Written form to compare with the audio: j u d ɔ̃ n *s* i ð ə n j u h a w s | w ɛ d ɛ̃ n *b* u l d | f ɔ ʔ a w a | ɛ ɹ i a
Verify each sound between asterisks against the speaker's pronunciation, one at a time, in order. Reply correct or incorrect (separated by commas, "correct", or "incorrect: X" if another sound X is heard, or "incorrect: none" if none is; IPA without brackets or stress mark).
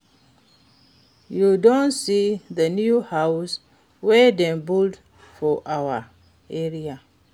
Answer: correct, correct